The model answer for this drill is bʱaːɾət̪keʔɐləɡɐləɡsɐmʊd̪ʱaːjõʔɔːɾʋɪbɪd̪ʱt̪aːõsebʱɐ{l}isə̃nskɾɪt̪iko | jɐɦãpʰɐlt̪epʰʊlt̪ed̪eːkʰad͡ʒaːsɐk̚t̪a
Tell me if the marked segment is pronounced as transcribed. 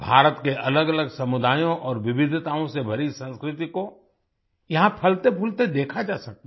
no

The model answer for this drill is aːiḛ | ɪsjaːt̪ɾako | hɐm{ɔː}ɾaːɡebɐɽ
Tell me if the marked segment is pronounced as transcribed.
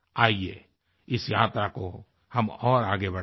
yes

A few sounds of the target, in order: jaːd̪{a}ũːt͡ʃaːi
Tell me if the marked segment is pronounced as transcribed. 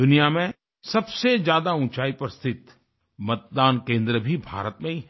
yes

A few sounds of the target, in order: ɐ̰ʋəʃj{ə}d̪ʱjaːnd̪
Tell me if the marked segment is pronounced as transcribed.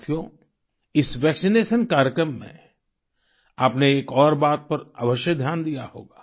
yes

